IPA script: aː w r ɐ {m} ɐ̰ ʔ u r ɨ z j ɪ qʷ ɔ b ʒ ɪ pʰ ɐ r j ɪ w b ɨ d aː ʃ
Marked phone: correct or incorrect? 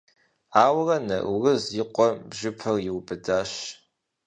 incorrect